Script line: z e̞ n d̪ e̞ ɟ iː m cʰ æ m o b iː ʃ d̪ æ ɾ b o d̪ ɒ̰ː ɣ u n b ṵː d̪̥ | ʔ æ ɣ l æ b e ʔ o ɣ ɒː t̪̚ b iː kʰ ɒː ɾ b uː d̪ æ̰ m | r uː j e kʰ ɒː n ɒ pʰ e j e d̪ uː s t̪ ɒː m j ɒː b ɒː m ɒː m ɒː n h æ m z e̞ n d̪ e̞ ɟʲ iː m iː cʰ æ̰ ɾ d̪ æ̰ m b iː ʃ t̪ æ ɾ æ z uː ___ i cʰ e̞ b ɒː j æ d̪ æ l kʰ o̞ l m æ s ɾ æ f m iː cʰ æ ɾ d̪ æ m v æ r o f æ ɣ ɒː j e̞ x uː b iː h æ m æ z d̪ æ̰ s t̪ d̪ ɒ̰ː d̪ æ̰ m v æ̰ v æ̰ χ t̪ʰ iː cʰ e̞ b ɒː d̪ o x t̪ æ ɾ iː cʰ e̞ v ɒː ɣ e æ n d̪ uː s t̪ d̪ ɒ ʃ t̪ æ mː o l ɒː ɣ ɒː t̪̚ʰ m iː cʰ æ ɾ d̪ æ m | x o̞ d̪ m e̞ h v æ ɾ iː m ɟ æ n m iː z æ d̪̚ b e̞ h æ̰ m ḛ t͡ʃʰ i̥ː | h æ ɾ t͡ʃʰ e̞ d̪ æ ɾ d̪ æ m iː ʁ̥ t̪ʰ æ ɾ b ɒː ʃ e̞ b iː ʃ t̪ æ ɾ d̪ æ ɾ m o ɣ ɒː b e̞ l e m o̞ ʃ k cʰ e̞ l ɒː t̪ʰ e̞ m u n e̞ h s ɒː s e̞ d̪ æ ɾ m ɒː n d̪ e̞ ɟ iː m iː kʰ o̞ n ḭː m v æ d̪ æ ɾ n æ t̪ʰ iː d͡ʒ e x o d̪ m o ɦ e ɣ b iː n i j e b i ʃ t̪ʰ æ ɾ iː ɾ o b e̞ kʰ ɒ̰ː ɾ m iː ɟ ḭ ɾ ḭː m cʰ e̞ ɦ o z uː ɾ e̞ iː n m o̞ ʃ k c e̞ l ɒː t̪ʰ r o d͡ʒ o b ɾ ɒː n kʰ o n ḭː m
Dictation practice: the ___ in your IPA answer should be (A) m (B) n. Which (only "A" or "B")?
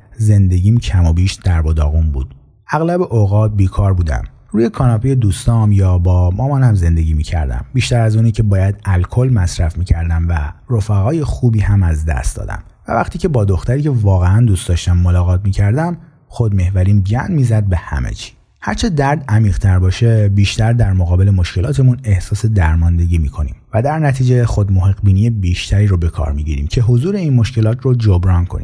B